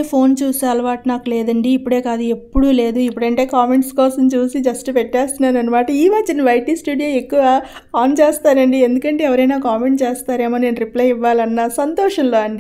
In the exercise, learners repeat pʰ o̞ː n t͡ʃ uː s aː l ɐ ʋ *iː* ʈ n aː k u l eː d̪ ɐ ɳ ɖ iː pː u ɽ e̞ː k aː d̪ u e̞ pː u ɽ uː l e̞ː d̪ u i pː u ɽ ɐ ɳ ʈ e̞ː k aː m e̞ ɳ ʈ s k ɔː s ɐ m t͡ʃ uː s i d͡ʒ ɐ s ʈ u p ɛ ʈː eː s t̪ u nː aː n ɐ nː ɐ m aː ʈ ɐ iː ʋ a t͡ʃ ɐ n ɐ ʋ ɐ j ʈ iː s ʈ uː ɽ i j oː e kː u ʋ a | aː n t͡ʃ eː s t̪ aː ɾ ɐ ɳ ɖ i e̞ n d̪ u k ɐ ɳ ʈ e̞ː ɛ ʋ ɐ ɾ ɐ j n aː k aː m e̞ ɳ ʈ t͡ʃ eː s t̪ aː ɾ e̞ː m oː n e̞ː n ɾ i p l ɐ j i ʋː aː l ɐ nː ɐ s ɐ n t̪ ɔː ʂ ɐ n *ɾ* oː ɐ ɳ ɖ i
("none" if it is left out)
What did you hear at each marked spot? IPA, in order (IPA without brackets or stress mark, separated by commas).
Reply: aː, l